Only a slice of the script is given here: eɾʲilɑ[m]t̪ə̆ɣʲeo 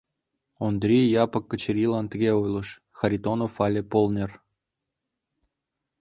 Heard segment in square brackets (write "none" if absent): n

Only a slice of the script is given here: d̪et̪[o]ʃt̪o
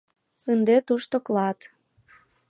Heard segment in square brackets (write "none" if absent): u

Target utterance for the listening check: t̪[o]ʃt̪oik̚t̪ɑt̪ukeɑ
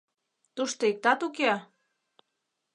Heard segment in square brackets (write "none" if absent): u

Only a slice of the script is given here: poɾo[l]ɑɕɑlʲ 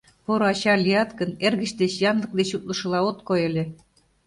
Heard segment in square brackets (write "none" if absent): none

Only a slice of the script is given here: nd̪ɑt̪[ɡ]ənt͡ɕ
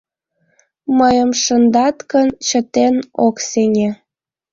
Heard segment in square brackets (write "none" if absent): k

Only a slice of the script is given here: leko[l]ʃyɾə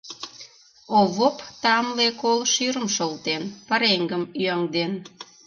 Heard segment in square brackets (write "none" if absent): l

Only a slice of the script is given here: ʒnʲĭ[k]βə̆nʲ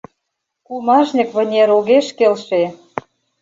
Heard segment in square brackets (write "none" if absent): k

